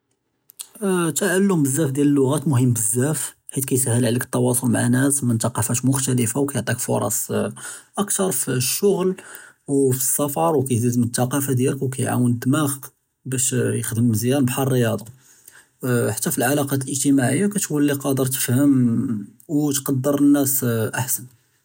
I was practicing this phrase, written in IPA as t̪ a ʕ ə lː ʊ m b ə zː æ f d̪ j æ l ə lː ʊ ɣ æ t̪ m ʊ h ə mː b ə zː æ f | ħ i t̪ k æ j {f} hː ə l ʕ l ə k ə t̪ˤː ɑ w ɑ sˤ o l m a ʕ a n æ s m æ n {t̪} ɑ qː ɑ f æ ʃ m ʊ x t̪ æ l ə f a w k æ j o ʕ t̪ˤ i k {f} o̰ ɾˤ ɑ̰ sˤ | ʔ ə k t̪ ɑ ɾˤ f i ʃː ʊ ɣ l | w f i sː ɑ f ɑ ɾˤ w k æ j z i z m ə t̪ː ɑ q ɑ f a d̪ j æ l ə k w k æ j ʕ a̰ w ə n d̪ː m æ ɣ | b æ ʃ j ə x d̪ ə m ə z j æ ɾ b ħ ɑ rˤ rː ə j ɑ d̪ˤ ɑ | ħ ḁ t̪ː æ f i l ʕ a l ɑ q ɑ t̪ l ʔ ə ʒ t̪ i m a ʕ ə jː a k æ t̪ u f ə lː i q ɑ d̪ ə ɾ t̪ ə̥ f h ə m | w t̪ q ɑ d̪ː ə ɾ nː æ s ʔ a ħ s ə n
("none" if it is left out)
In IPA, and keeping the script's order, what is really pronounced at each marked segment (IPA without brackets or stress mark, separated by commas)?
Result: s, t̪, f